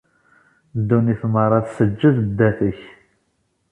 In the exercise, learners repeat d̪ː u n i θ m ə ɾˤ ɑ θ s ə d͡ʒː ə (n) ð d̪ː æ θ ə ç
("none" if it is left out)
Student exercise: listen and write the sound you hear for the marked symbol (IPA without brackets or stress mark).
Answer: none